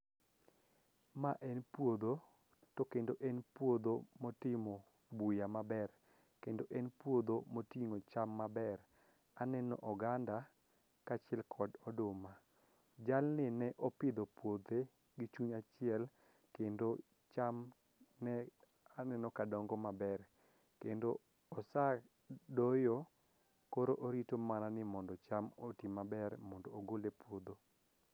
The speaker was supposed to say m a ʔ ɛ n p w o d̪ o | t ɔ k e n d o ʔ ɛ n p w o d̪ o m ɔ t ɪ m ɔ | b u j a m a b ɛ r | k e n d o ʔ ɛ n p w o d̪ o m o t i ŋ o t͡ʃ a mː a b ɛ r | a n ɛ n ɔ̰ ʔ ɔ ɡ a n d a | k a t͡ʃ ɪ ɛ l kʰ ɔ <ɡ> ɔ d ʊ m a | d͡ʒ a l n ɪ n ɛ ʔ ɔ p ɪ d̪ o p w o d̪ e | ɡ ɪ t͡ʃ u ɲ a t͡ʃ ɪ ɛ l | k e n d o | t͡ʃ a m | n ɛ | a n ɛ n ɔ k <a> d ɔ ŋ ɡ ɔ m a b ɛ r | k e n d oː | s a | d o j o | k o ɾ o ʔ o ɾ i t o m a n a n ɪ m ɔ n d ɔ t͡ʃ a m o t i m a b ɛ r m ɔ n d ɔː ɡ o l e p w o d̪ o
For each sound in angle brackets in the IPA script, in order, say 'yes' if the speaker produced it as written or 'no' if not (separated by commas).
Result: no, yes